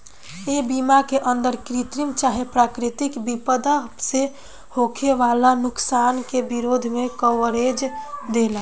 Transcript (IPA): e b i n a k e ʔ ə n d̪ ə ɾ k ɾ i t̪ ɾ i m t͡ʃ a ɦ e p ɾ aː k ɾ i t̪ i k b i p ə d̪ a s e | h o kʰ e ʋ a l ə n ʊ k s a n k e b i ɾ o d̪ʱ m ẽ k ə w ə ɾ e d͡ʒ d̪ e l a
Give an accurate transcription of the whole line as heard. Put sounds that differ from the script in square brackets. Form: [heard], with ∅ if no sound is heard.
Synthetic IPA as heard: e b i [m] a k e ʔ ə n d̪ ə ɾ k ɾ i t̪ ɾ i m t͡ʃ a ɦ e p ɾ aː k ɾ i t̪ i k b i p ə d̪ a s e | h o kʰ e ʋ a l [a] n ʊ k s a n k e b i ɾ o d̪ʱ m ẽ k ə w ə ɾ e d͡ʒ d̪ e l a